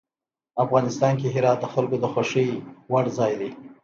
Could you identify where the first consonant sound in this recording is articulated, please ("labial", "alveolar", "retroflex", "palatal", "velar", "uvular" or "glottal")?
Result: labial